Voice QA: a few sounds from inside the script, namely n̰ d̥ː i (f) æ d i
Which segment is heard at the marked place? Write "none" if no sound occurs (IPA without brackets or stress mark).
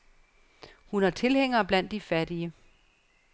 f